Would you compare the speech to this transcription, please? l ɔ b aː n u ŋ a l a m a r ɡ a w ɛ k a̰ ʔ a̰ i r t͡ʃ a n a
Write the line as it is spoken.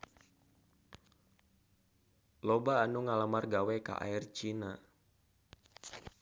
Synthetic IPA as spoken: l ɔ b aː n u ŋ a l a m a r ɡ a w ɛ k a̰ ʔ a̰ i r t͡ʃ i n a